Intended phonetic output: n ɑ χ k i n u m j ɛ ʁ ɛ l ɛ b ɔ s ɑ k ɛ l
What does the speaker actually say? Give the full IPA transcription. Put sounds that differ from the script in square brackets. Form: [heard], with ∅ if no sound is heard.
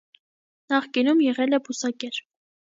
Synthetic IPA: n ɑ χ k i n u m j ɛ ʁ ɛ l ɛ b [u] s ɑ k ɛ [ɾ]